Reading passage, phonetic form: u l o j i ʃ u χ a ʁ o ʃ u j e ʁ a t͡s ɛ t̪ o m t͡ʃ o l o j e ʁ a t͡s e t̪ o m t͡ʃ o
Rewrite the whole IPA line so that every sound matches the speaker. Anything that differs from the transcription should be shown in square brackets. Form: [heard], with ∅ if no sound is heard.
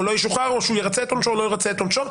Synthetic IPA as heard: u l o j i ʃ u χ a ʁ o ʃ u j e ʁ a t͡s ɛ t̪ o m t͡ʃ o l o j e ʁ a t͡s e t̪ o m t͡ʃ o